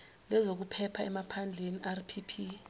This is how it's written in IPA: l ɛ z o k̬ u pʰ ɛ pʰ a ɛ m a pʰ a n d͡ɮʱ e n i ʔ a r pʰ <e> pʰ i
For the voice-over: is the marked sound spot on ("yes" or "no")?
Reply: no